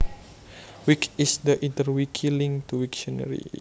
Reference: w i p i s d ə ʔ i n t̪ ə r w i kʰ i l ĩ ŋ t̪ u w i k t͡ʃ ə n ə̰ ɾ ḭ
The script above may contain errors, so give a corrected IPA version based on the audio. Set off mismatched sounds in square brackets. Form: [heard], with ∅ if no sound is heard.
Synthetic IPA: w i [k] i s d ə ʔ i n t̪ ə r w i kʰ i l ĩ ŋ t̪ u w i k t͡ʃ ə n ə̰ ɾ ḭ